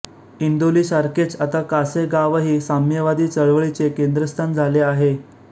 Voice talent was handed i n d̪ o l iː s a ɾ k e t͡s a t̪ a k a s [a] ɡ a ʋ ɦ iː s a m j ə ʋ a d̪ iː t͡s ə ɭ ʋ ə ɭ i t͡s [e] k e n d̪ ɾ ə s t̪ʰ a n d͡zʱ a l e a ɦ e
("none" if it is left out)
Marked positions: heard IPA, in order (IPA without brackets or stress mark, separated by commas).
e, e